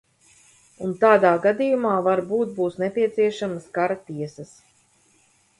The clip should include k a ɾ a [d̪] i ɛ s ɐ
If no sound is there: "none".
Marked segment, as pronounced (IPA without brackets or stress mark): t̪